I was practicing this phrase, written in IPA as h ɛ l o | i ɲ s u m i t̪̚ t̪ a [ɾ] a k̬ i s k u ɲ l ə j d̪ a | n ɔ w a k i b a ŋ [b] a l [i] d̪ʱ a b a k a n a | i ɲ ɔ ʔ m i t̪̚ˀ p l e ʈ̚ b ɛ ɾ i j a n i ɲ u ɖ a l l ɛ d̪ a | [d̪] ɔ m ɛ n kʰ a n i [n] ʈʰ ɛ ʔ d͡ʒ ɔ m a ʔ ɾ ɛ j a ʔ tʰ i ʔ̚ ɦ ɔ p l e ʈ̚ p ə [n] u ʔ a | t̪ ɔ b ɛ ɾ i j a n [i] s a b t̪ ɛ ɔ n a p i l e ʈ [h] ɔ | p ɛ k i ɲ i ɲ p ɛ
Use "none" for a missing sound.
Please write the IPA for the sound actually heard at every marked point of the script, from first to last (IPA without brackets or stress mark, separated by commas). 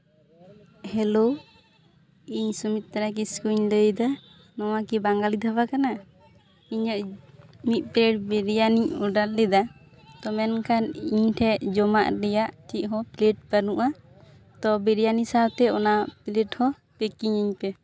ɾ, ɡ, i, t̪, ɲ, n, i, h